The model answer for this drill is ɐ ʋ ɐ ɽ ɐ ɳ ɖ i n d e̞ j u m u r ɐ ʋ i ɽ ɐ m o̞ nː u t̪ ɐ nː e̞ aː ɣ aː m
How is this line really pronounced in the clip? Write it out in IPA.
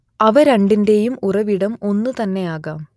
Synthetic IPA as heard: ɐ ʋ ɐ ɾ ɐ ɳ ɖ i n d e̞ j u m u r ɐ ʋ i ɽ ɐ m o̞ nː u t̪ ɐ nː e̞ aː ɣ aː m